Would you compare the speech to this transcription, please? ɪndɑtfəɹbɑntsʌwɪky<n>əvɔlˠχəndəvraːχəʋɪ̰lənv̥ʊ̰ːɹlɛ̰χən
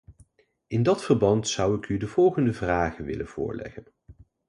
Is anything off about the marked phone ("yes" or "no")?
yes